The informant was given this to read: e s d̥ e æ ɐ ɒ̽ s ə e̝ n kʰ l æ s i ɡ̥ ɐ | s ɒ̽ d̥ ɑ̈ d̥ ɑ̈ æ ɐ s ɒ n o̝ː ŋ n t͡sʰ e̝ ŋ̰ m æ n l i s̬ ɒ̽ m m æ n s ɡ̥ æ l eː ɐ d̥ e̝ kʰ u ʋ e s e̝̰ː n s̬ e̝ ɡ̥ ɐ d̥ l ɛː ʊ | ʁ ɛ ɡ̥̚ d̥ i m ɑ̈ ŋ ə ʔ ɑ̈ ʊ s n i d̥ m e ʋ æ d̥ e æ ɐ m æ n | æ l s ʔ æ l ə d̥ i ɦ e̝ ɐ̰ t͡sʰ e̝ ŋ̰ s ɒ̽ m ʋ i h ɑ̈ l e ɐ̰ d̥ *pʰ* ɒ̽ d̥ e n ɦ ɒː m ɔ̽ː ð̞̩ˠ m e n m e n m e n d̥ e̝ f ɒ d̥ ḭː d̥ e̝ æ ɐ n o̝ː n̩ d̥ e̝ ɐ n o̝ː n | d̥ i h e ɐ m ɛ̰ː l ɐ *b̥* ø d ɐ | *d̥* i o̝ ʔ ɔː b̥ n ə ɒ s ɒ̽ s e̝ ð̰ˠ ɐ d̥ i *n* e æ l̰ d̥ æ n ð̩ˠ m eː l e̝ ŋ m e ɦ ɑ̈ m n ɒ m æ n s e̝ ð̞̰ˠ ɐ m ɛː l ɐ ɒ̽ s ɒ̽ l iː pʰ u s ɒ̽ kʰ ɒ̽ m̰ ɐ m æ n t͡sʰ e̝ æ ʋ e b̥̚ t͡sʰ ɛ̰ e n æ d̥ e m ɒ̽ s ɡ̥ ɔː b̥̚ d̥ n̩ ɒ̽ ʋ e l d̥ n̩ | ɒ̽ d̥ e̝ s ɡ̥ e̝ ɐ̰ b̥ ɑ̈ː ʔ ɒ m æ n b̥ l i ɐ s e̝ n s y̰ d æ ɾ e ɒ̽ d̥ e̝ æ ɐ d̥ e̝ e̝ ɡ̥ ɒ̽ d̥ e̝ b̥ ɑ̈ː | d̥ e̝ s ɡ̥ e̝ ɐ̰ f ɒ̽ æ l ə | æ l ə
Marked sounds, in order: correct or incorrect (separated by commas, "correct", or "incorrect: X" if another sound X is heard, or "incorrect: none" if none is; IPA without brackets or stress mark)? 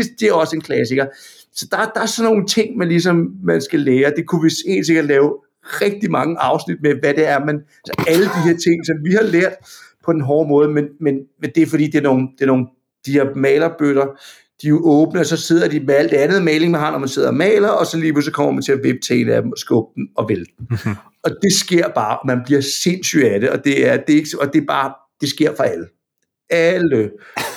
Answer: correct, correct, correct, incorrect: m